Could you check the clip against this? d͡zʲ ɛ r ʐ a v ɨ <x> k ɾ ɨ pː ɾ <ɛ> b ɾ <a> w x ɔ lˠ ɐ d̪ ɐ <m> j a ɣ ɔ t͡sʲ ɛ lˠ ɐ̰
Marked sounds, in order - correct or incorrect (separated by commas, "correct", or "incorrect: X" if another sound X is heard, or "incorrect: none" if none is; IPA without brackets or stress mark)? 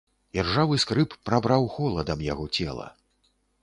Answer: incorrect: s, incorrect: a, correct, correct